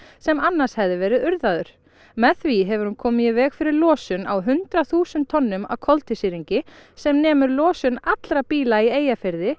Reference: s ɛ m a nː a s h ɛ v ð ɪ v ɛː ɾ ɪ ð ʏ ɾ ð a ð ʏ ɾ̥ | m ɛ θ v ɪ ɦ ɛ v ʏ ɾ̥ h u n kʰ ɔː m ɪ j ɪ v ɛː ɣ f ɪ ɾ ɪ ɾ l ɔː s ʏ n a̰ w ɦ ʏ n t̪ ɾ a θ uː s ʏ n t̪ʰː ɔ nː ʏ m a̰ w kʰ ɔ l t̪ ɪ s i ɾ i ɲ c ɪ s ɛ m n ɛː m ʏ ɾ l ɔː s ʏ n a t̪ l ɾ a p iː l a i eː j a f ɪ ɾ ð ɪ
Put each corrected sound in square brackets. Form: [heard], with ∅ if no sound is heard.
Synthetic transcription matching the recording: s ɛ m a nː a s h ɛ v ð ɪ v ɛː ɾ ɪ ð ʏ ɾ ð a ð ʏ ɾ̥ | m ɛ θ v [i] ɦ ɛ v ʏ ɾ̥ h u n kʰ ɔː m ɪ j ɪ v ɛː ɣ f ɪ ɾ ɪ ɾ l ɔː s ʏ n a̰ w ɦ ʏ n t̪ ɾ a θ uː s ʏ n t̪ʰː ɔ nː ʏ m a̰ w kʰ ɔ l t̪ ɪ s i ɾ i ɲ c ɪ s ɛ m n ɛː m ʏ ɾ l ɔː s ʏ n a t̪ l ɾ a p iː l a i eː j a f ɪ ɾ ð ɪ

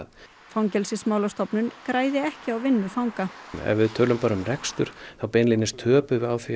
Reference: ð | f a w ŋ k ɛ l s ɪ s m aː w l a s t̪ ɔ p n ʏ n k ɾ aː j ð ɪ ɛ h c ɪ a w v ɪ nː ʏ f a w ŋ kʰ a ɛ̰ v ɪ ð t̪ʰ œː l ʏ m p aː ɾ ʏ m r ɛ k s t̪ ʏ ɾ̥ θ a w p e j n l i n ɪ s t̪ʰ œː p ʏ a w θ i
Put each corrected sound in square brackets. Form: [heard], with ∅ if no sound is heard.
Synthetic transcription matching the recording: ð | f a w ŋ [c] ɛ l s ɪ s m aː w l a s t̪ ɔ p n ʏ n k ɾ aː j ð ɪ ɛ h c ɪ a w v ɪ nː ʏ f a w ŋ [k] a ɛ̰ v ɪ ð t̪ʰ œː l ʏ m p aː ɾ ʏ m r ɛ k s t̪ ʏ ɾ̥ θ a w p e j n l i n ɪ s t̪ʰ œː p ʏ a w θ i

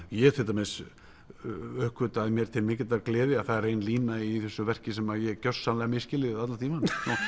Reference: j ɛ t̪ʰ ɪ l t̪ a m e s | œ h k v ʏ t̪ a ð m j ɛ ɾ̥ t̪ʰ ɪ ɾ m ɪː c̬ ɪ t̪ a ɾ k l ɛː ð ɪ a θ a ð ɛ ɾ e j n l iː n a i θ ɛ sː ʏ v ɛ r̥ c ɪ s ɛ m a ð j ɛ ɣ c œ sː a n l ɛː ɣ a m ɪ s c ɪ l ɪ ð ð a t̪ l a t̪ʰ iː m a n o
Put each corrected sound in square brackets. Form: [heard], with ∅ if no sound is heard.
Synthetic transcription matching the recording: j ɛ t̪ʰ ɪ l t̪ a m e s | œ h k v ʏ t̪ a ð m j ɛ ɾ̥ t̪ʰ ɪ [l] m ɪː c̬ ɪ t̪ a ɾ k l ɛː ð ɪ a θ a ð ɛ ɾ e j n l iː n a i θ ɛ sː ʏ v ɛ r̥ c ɪ s ɛ m a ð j ɛ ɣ c œ sː a n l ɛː ɣ a m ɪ s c ɪ l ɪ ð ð a t̪ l a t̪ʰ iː m a n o

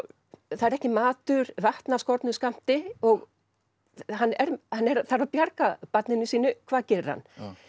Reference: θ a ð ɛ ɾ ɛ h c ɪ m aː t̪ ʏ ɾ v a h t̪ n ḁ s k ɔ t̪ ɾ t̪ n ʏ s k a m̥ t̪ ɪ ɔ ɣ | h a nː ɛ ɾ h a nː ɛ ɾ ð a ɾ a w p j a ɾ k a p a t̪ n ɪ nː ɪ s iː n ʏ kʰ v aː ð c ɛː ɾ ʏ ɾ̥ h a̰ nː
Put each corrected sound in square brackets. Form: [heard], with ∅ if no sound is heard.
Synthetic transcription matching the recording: θ a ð ɛ ɾ ɛ h c ɪ m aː t̪ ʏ ɾ v a h t̪ n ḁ s k ɔ [∅] ɾ t̪ n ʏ s k a m̥ t̪ ɪ ɔ ɣ | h a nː ɛ ɾ h a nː ɛ ɾ [θ] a ɾ a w p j a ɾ k a p a t̪ n ɪ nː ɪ s iː n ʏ kʰ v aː ð c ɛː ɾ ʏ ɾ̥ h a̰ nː

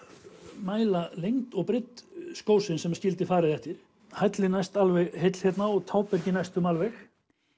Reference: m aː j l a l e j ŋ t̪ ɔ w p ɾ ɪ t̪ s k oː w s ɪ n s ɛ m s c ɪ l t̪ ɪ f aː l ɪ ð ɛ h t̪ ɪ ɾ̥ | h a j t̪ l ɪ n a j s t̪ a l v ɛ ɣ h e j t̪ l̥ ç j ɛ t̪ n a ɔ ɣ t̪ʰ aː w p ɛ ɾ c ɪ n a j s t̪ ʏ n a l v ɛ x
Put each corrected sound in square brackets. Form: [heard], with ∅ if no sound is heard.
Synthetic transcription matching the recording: m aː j l a l e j ŋ t̪ ɔ [ɣ] p ɾ ɪ t̪ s k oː w s ɪ n s ɛ m s c ɪ l t̪ ɪ f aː [ɾ] ɪ ð ɛ h t̪ ɪ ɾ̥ | h a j t̪ l ɪ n a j s t̪ a l v ɛ ɣ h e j t̪ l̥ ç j ɛ t̪ n a ɔ ɣ t̪ʰ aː w p ɛ ɾ c ɪ n a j s t̪ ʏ [m] a l v ɛ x

